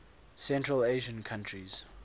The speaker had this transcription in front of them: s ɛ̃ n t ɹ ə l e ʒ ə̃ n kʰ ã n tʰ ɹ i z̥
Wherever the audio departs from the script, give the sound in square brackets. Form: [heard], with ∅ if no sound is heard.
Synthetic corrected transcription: s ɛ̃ n t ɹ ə l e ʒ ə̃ n kʰ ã n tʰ ɹ i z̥